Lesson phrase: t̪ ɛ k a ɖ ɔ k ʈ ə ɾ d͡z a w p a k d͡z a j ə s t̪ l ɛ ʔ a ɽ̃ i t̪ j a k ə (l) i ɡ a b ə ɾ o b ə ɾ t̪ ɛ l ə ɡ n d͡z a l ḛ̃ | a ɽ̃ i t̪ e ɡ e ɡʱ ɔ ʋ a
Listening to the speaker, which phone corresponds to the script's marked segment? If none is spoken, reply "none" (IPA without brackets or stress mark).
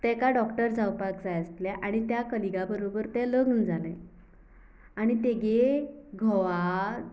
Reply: l